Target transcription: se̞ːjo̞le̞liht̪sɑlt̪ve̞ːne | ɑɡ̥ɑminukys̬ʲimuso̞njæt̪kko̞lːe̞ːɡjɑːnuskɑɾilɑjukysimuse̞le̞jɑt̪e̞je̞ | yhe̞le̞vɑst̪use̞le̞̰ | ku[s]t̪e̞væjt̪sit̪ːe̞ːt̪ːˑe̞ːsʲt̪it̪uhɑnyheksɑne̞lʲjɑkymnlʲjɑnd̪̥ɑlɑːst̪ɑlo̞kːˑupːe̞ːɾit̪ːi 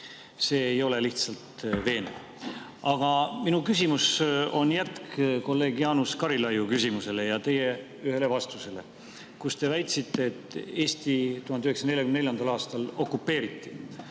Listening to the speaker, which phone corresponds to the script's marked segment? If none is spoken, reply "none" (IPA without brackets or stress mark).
s